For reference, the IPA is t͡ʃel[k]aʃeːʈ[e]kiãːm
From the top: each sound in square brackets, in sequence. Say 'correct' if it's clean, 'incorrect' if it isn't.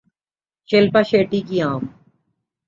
incorrect: p, incorrect: i

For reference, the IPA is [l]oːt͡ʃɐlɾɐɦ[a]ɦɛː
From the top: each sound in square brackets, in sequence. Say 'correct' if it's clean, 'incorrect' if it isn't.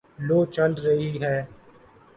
correct, incorrect: i

